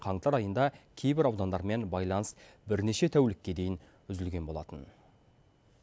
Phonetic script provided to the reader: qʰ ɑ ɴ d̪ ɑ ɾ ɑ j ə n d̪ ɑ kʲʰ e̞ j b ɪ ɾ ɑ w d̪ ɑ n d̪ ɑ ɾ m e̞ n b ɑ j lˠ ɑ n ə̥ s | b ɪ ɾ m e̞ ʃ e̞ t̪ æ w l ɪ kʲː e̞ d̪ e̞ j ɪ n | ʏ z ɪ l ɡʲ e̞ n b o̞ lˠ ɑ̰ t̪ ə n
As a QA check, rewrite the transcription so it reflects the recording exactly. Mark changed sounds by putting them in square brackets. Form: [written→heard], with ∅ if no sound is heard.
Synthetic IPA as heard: qʰ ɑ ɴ [d̪→t̪] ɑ ɾ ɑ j ə n d̪ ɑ kʲʰ e̞ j b ɪ ɾ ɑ w d̪ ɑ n d̪ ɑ ɾ m e̞ n b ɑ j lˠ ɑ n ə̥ s | b ɪ ɾ [m→n] e̞ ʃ e̞ [t̪→t̪ʰ] æ w l ɪ kʲː e̞ d̪ e̞ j ɪ n | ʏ z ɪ l ɡʲ e̞ n b o̞ lˠ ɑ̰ t̪ ə n